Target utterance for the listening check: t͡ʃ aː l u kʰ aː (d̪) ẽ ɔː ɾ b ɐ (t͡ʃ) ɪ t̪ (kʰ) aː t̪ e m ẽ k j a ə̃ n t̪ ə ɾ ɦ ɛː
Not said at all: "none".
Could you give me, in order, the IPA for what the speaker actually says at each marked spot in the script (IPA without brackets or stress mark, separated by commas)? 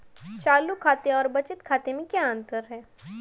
t̪, t͡ʃ, kʰ